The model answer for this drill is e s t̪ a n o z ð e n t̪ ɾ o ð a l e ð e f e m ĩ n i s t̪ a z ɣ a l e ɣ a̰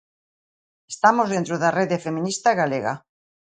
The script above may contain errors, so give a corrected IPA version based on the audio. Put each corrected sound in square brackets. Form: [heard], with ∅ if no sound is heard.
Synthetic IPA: e s t̪ a [m] o z ð e n t̪ ɾ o ð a [r] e ð e f e m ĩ n i s t̪ a [∅] ɣ a l e ɣ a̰